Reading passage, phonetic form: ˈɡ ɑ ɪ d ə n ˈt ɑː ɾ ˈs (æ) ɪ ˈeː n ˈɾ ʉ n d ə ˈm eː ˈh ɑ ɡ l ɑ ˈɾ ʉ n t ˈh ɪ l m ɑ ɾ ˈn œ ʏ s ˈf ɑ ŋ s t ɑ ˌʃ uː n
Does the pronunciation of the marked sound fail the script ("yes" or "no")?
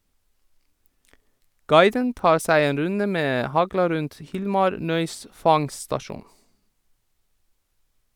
no